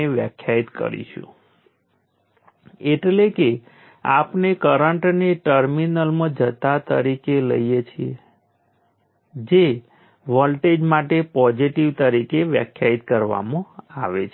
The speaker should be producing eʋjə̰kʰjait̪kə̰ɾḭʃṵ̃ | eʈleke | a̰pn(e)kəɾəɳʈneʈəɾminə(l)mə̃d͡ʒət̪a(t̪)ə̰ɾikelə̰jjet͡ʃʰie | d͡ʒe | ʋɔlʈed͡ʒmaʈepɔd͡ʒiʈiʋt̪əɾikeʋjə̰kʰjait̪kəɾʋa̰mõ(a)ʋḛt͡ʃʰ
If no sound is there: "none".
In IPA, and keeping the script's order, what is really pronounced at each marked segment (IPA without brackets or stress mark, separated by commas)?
e, l, t̪, a